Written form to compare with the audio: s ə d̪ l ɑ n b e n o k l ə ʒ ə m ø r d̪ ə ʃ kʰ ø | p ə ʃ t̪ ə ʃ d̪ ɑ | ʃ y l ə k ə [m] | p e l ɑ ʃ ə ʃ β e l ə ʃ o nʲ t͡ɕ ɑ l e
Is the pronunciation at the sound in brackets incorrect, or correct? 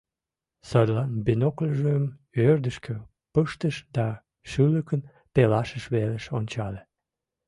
incorrect